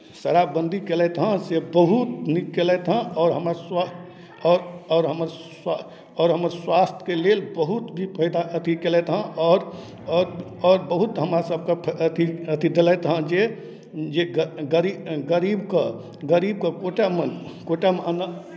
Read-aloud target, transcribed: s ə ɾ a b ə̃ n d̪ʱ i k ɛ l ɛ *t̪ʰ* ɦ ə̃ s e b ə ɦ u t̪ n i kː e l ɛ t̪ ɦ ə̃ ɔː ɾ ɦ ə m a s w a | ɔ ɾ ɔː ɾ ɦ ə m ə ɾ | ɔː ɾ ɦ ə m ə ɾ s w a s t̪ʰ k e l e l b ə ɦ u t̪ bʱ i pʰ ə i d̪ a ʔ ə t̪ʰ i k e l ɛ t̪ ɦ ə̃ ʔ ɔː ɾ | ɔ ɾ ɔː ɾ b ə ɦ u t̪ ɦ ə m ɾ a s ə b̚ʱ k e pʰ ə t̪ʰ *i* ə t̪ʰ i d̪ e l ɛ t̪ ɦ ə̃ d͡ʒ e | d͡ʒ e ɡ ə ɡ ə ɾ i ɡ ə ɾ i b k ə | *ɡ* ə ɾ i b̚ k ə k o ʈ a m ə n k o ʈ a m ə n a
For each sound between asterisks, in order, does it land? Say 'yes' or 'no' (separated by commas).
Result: no, yes, yes